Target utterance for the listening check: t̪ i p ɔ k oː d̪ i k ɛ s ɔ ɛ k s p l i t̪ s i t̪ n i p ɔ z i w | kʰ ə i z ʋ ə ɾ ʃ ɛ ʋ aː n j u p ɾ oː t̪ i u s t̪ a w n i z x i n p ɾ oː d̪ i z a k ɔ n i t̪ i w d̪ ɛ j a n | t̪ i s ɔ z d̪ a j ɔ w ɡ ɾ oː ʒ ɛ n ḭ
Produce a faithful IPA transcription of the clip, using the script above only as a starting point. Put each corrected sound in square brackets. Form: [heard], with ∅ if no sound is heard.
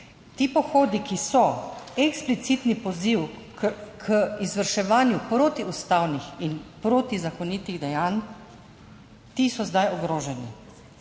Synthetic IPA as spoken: t̪ i p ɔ [x] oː d̪ i k [i] s ɔ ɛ k s p l i t̪ s i t̪ n i p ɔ z i w | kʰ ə i z ʋ ə ɾ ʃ ɛ ʋ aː n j u p ɾ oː t̪ i u s t̪ a w n i [∅] x i n p ɾ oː [t̪] i z a k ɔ n i t̪ i [ɣ] d̪ ɛ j a n | t̪ i s ɔ z d̪ a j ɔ [∅] ɡ ɾ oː ʒ ɛ n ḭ